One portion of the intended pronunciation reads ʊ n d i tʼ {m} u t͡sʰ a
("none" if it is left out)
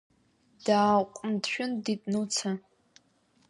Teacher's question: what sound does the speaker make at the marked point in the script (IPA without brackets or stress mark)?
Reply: n